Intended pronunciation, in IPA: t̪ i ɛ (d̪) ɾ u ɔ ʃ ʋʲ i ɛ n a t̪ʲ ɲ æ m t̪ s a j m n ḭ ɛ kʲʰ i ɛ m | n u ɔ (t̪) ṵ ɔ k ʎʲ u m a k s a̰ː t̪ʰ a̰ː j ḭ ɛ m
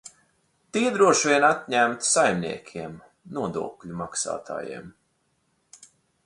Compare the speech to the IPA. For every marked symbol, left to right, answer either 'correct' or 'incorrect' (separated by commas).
correct, incorrect